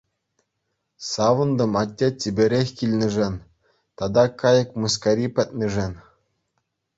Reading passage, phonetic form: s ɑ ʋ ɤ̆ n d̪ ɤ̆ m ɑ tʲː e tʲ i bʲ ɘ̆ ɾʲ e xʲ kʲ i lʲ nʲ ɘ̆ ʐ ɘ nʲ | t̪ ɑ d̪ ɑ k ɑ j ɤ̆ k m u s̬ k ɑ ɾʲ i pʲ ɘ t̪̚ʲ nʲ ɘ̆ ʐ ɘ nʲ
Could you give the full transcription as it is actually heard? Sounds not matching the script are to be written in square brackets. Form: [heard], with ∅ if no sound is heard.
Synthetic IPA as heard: s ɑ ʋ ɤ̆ n d̪ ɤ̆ m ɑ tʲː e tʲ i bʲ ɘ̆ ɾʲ e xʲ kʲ i lʲ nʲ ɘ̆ ʐ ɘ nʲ | t̪ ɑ d̪ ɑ k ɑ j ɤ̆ k m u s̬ k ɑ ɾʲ i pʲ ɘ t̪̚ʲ nʲ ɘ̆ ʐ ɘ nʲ